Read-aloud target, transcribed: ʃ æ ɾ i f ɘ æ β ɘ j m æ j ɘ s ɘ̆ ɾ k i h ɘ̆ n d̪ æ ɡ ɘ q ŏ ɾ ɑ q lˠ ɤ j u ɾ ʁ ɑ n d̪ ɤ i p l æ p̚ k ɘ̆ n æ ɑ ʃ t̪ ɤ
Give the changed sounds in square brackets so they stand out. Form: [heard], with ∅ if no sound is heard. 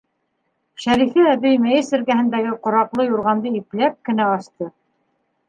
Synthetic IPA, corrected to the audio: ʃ æ ɾ i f ɘ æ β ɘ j m æ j ɘ s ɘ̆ ɾ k [æ] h ɘ̆ n d̪ æ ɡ ɘ q ŏ ɾ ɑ q lˠ ɤ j u ɾ ʁ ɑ n d̪ ɤ i p l æ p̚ k ɘ̆ n æ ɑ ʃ t̪ ɤ